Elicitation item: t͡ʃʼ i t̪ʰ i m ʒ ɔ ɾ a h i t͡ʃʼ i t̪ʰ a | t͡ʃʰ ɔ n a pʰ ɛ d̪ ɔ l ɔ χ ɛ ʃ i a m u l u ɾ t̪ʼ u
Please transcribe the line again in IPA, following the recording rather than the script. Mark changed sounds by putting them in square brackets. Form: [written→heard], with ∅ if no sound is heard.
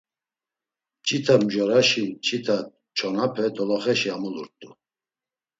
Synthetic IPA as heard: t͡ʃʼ i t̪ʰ [i→a] m ʒ ɔ ɾ a [h→ʃ] i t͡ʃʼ i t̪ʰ a | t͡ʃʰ ɔ n a pʰ ɛ d̪ ɔ l ɔ χ ɛ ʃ i a m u l u ɾ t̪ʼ u